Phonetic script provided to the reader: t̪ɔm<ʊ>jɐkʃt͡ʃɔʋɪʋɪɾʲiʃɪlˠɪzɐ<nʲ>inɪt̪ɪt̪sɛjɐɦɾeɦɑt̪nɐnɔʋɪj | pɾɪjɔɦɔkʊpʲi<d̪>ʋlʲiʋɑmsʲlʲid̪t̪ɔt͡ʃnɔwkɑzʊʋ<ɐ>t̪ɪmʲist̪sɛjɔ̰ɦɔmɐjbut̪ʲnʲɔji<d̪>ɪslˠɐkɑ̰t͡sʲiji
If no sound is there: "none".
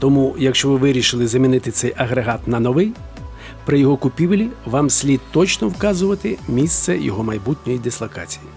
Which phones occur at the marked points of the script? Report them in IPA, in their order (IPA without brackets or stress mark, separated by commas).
u, mʲ, none, ɐ, d̪